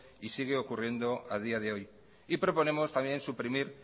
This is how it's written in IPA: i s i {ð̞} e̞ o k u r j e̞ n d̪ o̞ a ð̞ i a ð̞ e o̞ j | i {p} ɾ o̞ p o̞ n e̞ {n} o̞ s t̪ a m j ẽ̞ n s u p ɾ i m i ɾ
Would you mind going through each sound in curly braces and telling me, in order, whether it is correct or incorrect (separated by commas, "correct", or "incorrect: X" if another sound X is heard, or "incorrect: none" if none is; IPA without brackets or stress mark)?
incorrect: ɣ̞, correct, incorrect: m